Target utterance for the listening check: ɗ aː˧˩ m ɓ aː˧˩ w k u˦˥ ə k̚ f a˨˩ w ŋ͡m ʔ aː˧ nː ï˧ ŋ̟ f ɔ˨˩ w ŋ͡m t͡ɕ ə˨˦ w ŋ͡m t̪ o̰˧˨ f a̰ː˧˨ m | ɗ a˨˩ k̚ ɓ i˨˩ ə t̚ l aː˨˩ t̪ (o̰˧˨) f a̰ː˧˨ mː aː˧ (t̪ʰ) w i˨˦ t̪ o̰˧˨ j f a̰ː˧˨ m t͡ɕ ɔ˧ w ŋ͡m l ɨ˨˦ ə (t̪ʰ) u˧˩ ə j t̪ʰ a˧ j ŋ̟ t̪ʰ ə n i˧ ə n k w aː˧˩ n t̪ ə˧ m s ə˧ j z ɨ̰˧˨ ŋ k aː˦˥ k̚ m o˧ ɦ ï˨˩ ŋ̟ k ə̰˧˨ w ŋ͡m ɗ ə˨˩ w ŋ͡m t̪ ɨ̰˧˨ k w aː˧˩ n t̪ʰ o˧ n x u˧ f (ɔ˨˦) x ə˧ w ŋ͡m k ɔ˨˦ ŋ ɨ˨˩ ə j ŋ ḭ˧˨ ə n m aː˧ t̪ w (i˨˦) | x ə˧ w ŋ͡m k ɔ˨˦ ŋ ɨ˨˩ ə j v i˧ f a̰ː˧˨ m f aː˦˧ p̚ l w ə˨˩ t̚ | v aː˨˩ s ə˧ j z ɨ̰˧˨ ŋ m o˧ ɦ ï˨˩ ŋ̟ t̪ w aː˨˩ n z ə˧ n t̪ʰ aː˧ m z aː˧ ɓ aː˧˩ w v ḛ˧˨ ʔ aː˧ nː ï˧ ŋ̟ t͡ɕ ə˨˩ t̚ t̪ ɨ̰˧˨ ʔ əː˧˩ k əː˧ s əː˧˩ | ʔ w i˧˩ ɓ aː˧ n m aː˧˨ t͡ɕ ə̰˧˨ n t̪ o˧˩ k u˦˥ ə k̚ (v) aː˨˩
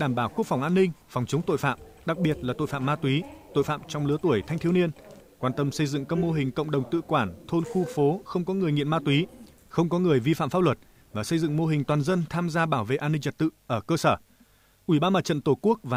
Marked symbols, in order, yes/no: yes, no, no, no, yes, yes

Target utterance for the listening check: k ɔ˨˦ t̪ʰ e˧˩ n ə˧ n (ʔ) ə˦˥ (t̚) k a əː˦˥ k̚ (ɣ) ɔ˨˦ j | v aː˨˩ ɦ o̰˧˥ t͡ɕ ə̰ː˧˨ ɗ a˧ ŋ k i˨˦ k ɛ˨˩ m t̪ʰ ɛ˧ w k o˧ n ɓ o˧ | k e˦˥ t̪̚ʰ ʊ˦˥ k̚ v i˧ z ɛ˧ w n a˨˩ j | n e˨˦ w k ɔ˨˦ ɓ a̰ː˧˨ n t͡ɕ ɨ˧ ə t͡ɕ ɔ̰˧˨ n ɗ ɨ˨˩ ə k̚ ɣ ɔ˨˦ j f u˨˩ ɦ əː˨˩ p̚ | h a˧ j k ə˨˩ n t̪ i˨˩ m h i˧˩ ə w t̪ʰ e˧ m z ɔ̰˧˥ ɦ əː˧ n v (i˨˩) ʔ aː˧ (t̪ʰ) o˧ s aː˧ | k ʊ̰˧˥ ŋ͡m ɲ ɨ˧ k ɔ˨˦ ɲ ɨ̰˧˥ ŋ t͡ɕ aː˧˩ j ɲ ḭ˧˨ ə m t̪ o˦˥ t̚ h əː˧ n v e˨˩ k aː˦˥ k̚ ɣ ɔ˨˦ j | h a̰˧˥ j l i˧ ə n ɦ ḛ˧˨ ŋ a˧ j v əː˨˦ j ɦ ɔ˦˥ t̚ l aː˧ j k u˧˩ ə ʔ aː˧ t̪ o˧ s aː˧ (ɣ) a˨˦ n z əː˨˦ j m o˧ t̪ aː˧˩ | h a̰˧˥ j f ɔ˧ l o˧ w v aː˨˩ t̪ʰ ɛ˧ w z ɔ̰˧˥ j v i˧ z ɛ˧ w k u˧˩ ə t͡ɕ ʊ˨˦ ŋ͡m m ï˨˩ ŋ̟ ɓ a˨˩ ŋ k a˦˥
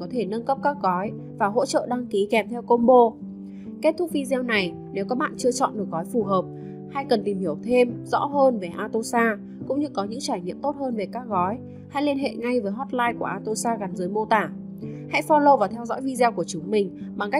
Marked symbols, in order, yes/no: no, no, yes, no, no, yes

